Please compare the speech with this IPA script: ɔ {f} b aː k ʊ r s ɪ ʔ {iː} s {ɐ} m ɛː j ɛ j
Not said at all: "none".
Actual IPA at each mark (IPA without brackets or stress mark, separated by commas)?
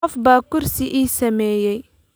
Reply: f, iː, ɐ